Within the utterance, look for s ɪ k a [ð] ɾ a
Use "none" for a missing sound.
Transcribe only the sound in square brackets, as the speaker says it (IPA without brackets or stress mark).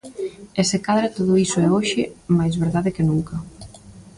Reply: ð